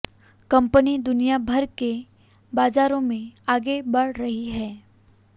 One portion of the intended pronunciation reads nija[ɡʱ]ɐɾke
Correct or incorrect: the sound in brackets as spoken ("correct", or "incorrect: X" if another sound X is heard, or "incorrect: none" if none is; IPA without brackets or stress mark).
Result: incorrect: bʱ